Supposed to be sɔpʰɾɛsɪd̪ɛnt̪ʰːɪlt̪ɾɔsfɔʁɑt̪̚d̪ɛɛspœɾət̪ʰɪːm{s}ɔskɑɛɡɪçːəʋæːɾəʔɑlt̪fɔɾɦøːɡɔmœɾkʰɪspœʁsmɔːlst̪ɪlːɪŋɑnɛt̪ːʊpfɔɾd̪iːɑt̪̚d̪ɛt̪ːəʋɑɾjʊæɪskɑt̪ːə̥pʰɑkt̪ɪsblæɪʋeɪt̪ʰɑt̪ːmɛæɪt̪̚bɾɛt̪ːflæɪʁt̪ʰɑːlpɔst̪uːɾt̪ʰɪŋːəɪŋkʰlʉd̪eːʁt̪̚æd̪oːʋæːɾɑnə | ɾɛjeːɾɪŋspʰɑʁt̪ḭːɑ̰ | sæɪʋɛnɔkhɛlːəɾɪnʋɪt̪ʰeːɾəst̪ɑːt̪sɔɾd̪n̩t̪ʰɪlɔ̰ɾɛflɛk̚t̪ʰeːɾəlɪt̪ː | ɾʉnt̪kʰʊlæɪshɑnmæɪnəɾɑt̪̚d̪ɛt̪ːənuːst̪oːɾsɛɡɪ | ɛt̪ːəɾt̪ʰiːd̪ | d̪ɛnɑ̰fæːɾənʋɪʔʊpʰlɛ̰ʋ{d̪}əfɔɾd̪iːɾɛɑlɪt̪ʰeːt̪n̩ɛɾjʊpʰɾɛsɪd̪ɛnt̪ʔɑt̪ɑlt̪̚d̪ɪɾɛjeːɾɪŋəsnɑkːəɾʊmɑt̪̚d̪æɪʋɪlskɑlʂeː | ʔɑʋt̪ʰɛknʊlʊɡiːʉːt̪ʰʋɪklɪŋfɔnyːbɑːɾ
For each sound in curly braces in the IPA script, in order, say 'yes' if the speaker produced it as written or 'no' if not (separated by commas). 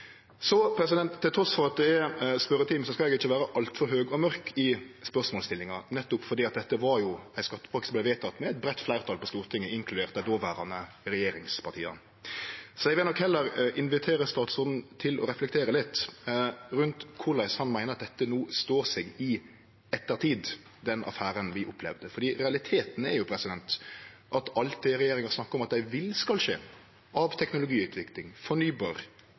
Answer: yes, yes